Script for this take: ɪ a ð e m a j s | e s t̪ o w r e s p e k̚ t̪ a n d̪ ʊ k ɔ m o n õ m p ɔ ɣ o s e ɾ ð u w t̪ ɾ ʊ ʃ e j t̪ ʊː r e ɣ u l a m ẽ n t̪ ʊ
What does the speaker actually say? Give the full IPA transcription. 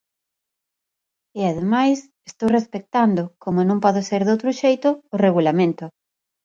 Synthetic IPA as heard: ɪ a ð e m a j s | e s t̪ o w r e s p e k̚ t̪ a n d̪ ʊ k o m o n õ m p ɔ ð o s e ɾ ð o w t̪ ɾ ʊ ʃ e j t̪ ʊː r e ɣ u l a m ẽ n t̪ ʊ